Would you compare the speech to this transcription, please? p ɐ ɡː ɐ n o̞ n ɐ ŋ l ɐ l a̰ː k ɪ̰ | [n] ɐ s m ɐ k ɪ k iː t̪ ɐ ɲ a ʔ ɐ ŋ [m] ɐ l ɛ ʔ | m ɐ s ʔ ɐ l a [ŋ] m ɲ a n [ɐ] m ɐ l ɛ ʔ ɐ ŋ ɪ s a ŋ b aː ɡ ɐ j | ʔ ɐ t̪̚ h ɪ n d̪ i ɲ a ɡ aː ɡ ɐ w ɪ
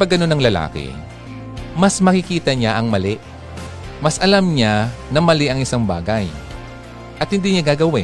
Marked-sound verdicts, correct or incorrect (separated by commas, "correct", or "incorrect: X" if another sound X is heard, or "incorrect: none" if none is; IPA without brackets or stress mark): incorrect: m, correct, incorrect: none, correct